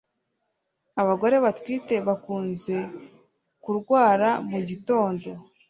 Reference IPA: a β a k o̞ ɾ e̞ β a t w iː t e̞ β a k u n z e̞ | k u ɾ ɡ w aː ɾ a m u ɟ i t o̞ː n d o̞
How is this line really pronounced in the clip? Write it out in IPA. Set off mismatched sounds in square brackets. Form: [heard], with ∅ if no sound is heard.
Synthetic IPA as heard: a β a [ɡ] o̞ ɾ e̞ β a t w iː t e̞ β a k [uː] n z e̞ | k u ɾ ɡ w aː ɾ a m u ɟ i t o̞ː n d o̞